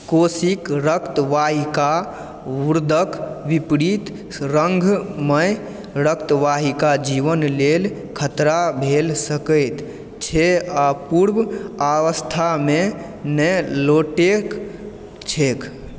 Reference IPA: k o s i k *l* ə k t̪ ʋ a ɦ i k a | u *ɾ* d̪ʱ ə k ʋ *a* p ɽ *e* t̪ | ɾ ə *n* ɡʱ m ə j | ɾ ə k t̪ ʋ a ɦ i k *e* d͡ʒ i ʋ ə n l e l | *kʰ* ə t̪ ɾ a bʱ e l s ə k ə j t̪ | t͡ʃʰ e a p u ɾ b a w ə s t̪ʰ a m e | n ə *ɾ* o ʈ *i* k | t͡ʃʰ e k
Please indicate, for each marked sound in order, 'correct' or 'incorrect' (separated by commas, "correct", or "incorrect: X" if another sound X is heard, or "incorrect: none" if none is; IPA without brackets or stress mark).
incorrect: ɾ, correct, incorrect: i, incorrect: i, incorrect: ŋ, incorrect: a, correct, incorrect: l, incorrect: e